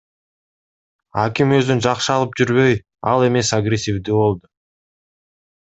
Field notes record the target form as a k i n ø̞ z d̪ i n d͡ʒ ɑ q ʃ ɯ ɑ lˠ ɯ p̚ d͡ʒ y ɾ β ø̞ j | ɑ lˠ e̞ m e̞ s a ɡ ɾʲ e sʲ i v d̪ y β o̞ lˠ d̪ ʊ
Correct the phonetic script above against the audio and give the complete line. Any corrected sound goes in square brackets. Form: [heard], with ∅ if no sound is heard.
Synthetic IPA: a k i [m] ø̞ z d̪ [y] n d͡ʒ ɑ q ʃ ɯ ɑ lˠ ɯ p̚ d͡ʒ y ɾ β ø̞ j | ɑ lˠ e̞ m e̞ s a ɡ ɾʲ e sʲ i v d̪ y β o̞ lˠ d̪ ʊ